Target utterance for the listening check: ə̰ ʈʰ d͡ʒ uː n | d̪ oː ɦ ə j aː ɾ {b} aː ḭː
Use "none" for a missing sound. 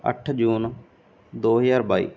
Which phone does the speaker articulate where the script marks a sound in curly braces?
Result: b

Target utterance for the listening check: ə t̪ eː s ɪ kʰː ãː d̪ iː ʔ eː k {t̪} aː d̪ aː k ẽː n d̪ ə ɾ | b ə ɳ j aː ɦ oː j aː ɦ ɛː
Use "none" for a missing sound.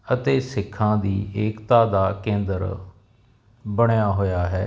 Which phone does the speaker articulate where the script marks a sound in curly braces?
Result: t̪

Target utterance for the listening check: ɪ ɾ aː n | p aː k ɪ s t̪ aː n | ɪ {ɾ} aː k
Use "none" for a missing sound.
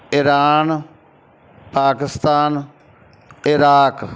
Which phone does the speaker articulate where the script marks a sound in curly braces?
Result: ɾ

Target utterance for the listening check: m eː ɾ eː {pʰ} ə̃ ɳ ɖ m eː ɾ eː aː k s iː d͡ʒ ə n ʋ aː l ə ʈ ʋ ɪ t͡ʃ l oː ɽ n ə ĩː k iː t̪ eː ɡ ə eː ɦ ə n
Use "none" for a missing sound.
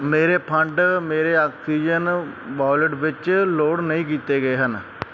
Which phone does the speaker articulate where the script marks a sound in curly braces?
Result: pʰ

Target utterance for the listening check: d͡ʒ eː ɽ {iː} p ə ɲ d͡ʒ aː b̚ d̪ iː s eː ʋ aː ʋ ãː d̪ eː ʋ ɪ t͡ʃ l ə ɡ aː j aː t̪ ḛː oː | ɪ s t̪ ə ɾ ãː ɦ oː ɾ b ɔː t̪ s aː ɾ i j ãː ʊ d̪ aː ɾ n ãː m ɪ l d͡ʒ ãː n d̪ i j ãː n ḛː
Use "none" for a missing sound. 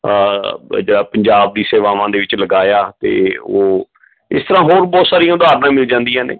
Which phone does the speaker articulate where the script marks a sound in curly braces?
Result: aː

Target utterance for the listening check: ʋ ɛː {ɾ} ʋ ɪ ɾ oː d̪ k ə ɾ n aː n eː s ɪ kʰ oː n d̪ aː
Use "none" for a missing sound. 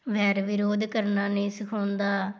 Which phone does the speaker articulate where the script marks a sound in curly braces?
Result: ɾ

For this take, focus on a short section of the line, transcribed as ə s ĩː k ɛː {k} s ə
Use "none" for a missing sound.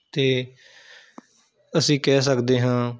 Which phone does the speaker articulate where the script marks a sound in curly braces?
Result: none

